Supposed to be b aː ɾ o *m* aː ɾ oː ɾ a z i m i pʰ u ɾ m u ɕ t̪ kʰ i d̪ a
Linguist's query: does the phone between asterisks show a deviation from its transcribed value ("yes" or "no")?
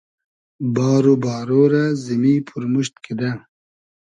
yes